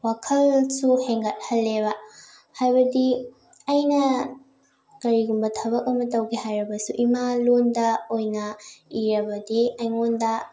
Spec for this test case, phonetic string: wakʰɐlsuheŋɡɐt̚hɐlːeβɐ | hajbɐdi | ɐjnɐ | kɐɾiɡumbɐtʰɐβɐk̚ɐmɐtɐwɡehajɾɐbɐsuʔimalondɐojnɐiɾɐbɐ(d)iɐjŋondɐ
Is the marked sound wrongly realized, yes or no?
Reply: no